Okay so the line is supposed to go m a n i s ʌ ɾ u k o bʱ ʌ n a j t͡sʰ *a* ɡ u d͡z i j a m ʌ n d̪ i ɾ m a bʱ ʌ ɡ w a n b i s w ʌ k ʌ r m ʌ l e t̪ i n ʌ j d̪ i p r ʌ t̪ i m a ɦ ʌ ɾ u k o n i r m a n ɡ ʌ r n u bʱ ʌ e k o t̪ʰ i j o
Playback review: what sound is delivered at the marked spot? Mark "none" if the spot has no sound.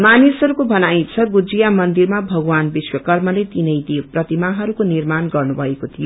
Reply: ʌ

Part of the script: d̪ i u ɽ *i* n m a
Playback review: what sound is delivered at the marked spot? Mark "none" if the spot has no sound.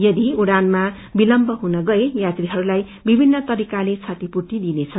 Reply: a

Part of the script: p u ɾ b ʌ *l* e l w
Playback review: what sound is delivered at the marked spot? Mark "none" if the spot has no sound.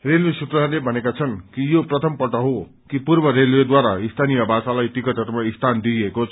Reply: ɾ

